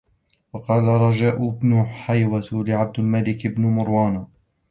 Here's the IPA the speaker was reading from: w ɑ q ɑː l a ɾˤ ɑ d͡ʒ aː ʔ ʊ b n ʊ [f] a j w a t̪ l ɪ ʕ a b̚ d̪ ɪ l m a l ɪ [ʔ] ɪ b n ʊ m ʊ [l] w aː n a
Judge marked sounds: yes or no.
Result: no, no, no

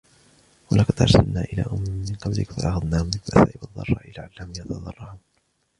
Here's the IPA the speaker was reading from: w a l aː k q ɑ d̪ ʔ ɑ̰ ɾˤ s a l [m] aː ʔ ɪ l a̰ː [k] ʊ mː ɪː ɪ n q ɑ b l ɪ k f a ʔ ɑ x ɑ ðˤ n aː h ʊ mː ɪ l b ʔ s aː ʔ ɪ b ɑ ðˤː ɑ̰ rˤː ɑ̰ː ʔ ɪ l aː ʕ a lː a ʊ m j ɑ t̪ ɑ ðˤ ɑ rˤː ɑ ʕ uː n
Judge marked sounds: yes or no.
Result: no, no

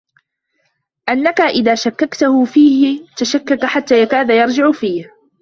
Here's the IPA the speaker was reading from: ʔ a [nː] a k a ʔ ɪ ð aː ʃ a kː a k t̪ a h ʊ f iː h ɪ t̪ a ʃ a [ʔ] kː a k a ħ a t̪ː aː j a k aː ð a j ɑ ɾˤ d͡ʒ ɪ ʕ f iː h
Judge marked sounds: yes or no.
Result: yes, no

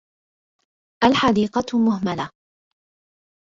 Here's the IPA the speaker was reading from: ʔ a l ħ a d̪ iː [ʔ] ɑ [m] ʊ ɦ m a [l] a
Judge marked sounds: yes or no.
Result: no, yes, yes

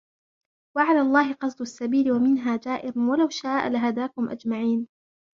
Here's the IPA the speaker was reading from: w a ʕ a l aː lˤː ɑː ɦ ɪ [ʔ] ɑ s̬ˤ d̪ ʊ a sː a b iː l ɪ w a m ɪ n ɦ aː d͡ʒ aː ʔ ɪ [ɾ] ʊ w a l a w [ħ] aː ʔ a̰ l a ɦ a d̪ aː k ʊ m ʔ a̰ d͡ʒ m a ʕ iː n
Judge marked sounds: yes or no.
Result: no, yes, no

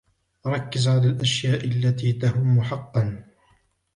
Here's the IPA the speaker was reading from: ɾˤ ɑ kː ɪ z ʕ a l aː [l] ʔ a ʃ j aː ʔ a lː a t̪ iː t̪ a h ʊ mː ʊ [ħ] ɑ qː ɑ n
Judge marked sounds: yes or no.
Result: yes, yes

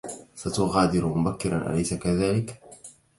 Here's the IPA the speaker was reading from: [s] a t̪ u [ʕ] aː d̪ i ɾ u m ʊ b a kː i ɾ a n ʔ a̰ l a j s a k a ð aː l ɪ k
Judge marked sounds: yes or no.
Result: yes, no

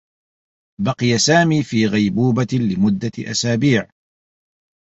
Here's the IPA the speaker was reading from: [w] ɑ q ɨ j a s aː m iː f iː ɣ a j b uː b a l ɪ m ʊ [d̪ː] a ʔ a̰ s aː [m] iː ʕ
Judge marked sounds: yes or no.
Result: no, yes, no

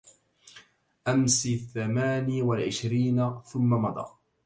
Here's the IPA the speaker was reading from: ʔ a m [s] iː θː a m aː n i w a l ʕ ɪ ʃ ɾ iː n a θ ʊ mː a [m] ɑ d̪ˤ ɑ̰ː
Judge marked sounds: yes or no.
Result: yes, yes

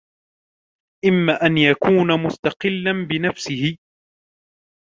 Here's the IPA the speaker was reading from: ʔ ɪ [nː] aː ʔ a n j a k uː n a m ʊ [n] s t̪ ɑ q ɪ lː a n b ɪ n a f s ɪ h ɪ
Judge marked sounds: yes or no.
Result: no, no

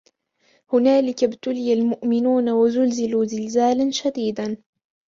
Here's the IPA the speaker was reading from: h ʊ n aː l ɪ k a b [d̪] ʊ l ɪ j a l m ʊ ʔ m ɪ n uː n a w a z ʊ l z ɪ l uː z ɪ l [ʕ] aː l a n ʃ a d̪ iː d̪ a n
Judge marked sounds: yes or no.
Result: no, no

